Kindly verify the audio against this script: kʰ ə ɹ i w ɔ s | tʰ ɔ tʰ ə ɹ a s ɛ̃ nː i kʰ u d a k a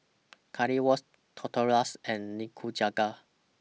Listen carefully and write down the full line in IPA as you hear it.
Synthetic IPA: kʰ a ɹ i w ɔ s | tʰ ɔ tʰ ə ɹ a s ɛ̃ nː i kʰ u d͡ʒ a ɡ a